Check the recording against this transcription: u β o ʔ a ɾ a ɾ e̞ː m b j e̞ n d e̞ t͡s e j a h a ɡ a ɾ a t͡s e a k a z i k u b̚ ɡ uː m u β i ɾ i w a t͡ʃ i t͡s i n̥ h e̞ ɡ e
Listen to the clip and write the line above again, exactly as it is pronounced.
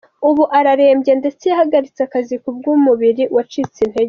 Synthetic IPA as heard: u β u ʔ a ɾ a ɾ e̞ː m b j e̞ n d e̞ t͡s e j a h a ɡ a ɾ i t͡s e a k a z i k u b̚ ɡ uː m u β i ɾ i w a t͡ʃ i t͡s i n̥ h e̞ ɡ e